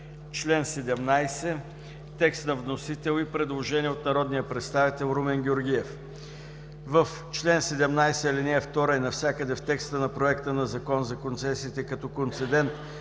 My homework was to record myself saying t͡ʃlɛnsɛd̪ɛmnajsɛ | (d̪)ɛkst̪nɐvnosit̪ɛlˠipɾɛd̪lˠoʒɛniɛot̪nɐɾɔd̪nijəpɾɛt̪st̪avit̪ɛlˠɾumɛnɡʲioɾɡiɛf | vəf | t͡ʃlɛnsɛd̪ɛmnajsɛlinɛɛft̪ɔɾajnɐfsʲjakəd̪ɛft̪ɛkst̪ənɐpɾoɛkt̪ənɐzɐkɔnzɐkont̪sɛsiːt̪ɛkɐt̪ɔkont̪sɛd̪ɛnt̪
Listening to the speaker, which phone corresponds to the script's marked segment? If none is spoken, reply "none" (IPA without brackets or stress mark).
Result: t̪